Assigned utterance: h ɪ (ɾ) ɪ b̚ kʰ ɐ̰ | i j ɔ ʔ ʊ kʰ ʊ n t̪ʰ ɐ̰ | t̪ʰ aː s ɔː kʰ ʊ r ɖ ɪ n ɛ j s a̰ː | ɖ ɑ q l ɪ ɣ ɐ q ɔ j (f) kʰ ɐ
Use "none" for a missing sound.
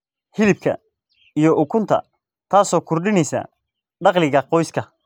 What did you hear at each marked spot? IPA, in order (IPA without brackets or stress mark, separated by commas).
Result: l, s